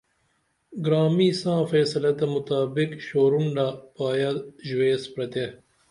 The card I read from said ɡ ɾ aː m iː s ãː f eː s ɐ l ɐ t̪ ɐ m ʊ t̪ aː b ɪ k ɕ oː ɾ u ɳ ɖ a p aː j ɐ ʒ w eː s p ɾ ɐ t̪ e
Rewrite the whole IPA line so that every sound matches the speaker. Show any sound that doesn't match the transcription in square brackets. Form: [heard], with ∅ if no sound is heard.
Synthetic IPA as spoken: ɡ ɾ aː m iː s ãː f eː s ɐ l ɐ t̪ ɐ m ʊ t̪ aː b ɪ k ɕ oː ɾ u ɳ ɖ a p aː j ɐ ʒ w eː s p ɾ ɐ t̪ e